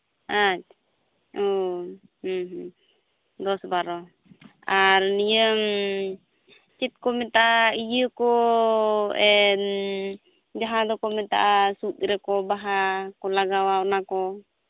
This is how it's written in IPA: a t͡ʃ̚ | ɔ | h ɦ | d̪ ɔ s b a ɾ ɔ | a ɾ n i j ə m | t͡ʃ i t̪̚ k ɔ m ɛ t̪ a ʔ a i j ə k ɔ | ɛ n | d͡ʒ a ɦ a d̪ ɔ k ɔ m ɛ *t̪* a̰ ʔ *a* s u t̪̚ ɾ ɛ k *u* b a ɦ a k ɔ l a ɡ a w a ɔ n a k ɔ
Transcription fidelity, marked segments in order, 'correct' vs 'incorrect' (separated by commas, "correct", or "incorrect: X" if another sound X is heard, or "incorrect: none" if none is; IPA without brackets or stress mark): correct, correct, incorrect: ɔ